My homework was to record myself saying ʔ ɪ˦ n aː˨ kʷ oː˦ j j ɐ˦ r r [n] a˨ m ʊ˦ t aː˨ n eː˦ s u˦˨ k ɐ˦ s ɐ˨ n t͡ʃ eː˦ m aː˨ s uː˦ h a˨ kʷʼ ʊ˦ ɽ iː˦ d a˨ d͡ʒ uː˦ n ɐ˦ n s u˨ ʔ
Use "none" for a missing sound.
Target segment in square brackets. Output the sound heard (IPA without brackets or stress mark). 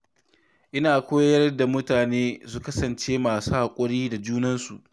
d